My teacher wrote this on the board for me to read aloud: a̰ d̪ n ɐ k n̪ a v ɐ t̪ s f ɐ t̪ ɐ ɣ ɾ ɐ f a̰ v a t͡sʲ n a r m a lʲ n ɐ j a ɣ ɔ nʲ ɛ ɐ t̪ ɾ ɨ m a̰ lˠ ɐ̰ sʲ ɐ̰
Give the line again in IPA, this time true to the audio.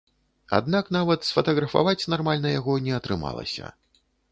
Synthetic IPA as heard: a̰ d̪ n a k n̪ a v ɐ t̪ s f ɐ t̪ ɐ ɣ ɾ ɐ f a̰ v a t͡sʲ n a r m a lʲ n ɐ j a ɣ ɔ nʲ ɛ ɐ t̪ ɾ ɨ m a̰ lˠ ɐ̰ sʲ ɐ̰